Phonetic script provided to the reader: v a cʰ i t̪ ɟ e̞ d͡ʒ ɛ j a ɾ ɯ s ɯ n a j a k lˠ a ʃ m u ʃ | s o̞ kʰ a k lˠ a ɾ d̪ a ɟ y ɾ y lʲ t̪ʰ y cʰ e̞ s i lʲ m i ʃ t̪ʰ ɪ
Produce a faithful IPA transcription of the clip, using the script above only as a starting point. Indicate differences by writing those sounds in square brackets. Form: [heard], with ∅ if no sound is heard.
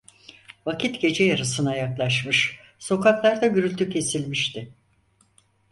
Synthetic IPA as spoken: v a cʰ i t̪ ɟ e̞ d͡ʒ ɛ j a ɾ ɯ s ɯ n a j a k lˠ a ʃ m [ɯ] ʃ | s o̞ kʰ a k lˠ a ɾ d̪ a ɟ y ɾ y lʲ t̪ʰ y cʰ e̞ s i lʲ m i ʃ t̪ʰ ɪ